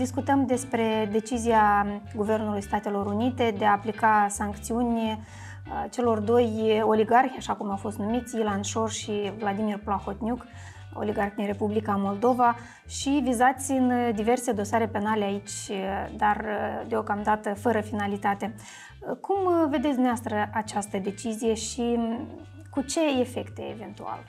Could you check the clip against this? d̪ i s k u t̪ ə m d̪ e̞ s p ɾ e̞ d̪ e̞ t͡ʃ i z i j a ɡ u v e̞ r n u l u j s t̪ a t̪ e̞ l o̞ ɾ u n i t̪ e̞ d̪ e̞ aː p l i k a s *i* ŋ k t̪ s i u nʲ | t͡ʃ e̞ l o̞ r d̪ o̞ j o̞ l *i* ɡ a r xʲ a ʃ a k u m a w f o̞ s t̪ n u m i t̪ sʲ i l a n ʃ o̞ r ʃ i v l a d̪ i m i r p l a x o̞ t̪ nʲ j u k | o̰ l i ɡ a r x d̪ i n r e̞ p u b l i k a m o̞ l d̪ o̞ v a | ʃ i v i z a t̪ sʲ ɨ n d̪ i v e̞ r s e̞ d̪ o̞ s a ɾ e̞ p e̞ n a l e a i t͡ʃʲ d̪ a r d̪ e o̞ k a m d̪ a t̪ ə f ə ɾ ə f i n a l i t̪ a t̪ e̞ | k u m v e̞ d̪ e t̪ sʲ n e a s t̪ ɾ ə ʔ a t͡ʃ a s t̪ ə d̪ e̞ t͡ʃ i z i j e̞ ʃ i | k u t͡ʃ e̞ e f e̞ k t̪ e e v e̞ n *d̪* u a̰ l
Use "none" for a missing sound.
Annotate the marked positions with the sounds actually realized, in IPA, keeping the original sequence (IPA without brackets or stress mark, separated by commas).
a, i, t̪